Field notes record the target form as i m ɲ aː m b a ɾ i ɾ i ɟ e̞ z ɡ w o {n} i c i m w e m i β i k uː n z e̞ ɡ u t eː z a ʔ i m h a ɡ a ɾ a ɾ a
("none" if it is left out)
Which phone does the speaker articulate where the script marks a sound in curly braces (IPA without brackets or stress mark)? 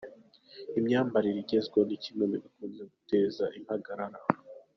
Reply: n